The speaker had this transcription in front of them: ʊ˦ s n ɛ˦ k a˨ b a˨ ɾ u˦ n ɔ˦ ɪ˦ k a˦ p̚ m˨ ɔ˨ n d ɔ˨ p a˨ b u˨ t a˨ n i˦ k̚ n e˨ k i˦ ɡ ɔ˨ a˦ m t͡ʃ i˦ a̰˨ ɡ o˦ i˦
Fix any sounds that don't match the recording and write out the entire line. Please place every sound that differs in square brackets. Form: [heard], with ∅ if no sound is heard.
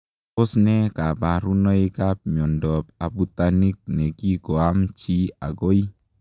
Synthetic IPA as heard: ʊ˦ s n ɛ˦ k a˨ b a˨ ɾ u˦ n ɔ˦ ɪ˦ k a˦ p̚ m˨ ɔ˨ n d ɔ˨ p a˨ b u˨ t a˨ n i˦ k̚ n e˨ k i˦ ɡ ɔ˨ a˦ m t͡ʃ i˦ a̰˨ ɡ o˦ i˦